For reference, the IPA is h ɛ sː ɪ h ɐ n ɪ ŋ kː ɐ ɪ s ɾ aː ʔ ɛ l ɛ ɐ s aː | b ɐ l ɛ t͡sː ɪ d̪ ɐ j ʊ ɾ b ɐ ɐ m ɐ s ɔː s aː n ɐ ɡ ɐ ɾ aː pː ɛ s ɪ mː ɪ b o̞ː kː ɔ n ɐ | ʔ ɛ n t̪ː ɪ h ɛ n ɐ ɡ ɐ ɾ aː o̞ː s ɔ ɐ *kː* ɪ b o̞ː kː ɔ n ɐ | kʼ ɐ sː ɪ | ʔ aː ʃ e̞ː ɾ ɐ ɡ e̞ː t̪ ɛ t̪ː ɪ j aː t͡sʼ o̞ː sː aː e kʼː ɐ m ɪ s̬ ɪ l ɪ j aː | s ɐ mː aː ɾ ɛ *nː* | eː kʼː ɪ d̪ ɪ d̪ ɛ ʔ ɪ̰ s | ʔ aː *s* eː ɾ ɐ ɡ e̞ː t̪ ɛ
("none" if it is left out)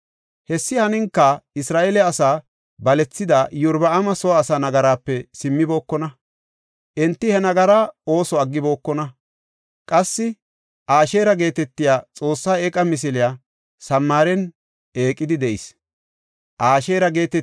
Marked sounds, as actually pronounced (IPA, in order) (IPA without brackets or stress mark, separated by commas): ɡː, n, ʃ